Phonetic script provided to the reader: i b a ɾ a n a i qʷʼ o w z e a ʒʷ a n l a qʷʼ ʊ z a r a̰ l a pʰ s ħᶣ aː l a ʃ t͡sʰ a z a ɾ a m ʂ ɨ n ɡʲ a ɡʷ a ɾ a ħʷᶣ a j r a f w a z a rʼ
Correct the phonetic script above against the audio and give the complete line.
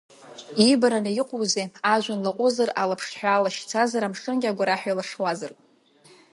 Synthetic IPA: i b a ɾ a n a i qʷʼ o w z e a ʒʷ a n l a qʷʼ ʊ z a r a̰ l a pʰ ʂ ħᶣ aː l a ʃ t͡sʰ a z a ɾ a m ʂ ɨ n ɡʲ a ɡʷ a ɾ a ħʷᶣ a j l a ʂ w a z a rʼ